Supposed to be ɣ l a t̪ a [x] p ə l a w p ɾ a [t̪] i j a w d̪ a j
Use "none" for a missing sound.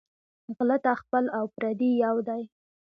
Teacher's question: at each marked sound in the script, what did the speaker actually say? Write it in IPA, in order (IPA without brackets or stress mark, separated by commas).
x, d̪